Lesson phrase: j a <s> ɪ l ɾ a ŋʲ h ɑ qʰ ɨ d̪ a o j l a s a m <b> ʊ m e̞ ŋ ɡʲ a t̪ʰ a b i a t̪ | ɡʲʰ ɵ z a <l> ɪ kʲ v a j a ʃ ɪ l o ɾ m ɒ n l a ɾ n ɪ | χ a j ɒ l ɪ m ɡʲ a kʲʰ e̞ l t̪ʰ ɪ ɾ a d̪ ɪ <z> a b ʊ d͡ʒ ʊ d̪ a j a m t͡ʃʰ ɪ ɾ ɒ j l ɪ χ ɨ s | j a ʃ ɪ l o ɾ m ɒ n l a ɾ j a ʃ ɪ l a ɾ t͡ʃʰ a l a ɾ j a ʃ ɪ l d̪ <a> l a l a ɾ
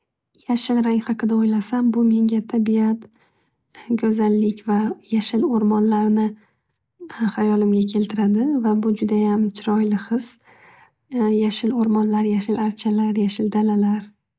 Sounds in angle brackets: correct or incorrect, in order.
incorrect: ʃ, correct, incorrect: lː, incorrect: v, correct

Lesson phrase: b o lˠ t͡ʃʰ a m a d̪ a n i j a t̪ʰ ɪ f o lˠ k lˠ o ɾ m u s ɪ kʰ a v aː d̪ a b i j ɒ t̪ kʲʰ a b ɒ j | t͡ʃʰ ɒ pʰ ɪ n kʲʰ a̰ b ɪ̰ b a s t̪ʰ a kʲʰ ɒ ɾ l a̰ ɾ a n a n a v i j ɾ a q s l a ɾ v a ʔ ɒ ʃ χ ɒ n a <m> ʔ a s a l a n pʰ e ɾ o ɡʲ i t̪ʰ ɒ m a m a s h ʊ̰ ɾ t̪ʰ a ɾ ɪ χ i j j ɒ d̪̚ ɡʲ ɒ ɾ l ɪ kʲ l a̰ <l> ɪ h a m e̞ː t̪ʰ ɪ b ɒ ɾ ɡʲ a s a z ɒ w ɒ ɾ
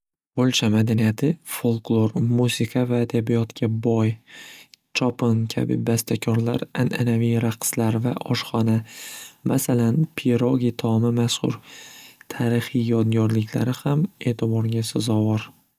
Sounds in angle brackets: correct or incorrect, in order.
correct, incorrect: ɾ

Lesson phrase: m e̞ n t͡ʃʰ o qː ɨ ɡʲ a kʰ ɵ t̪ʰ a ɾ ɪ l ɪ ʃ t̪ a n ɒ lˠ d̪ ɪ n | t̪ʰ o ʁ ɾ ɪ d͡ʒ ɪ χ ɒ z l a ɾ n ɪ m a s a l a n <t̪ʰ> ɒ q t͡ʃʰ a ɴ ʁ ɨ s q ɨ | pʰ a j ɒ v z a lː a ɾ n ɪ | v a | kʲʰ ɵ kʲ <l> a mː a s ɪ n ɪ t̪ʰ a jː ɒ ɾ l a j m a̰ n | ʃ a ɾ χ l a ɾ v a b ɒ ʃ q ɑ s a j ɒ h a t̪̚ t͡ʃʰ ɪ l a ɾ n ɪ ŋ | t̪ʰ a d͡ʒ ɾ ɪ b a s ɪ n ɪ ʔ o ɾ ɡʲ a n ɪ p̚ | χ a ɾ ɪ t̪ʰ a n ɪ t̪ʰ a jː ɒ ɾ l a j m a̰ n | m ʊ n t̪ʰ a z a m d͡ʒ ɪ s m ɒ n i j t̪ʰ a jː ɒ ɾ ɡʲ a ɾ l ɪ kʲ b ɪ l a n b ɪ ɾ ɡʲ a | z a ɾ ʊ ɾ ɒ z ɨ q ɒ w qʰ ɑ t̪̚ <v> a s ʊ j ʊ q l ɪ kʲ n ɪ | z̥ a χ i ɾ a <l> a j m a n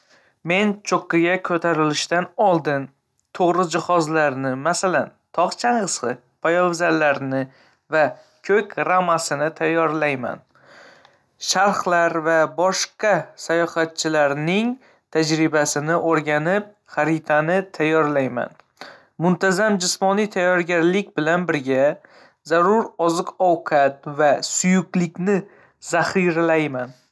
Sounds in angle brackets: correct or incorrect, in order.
correct, incorrect: ɾ, correct, correct

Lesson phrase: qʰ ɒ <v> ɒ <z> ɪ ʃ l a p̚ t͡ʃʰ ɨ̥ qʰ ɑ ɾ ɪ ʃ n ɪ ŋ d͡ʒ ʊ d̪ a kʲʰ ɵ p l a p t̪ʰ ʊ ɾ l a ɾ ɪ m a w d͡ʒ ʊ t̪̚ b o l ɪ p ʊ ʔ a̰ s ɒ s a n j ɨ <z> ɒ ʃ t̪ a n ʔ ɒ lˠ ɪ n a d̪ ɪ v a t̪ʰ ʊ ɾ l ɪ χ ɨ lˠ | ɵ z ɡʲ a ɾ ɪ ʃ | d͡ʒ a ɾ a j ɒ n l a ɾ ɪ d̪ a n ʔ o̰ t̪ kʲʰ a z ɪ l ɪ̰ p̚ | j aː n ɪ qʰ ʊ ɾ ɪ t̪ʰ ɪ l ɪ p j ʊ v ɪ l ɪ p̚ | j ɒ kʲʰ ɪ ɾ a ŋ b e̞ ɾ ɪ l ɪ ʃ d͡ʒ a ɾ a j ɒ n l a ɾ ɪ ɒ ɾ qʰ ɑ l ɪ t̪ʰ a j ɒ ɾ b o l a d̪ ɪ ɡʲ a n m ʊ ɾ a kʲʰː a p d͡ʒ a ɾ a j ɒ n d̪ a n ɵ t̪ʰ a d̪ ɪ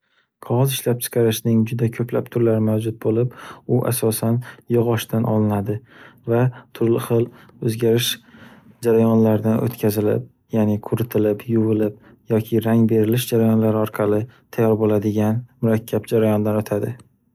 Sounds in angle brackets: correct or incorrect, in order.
incorrect: ʁ, correct, incorrect: ʁ

